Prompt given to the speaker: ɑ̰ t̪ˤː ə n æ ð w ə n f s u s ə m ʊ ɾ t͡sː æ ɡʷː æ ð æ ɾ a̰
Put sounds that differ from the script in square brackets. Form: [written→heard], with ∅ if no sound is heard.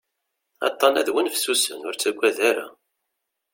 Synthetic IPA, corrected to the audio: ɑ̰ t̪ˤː [ə→ɑ] n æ ð w ə n f s u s ə [m→n] ʊ ɾ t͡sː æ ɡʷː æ ð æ ɾ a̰